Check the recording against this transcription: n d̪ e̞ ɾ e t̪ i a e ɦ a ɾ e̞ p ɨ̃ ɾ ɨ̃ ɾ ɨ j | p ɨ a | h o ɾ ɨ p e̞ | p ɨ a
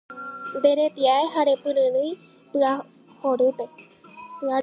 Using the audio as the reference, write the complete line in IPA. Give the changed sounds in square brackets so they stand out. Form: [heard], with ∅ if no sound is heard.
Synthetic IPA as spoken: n d̪ e̞ ɾ e t̪ i a e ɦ a ɾ e̞ p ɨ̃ ɾ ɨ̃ ɾ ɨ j | p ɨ a | h o ɾ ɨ p e̞ | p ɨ a